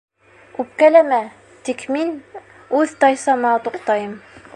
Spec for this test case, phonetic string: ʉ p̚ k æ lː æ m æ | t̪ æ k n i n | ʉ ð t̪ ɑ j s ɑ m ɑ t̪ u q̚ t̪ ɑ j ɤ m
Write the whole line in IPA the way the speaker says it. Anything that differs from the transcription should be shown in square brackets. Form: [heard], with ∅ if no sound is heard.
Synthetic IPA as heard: ʉ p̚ k æ [l] æ m æ | t̪ [i] k [m] i n | ʉ ð t̪ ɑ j s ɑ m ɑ t̪ u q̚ t̪ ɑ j ɤ m